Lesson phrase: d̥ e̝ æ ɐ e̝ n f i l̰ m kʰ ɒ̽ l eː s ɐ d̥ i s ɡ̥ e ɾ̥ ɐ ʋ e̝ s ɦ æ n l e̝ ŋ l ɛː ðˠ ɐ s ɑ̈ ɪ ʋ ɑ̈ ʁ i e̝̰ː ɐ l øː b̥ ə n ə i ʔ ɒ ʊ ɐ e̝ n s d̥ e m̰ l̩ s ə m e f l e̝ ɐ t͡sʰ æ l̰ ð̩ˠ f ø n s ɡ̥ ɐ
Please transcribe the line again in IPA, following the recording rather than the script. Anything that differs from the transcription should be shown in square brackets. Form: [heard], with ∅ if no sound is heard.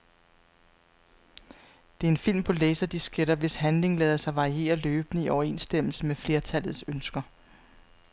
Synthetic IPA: d̥ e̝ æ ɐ e̝ n f i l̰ m [pʰ] ɒ̽ l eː s ɐ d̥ i s ɡ̥ e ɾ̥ ɐ ʋ e̝ s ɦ æ n l e̝ ŋ l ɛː ðˠ ɐ s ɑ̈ ɪ ʋ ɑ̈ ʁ i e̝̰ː ɐ l øː b̥ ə n ə i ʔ ɒ ʊ ɐ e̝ n s d̥ e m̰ l̩ s ə m e f l e̝ ɐ t͡sʰ æ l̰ ð̩ˠ [s] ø n s ɡ̥ ɐ